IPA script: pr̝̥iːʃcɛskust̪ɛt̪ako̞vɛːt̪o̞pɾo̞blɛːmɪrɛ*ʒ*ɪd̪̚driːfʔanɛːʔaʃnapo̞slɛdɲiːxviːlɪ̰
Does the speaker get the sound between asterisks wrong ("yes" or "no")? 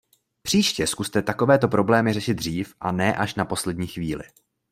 yes